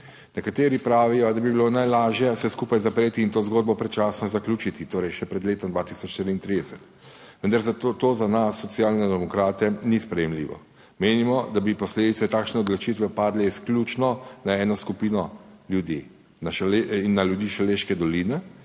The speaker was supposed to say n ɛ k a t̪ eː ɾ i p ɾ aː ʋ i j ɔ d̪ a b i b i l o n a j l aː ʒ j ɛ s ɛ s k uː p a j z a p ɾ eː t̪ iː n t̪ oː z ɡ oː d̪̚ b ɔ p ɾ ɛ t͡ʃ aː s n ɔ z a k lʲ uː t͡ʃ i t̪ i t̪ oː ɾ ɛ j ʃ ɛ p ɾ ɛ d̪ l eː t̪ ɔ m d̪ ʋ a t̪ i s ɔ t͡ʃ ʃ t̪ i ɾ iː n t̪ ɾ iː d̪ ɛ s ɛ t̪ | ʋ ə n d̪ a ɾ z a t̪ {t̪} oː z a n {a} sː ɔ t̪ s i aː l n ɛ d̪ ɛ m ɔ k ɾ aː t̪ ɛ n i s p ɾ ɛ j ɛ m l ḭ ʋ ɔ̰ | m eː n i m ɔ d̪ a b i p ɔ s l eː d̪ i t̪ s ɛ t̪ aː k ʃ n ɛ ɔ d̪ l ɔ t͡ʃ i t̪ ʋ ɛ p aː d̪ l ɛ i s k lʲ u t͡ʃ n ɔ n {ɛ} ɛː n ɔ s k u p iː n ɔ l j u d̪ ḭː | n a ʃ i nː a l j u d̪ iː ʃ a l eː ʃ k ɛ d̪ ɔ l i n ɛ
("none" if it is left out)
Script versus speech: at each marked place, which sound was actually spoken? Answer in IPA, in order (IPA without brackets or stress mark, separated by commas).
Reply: t̪, a, a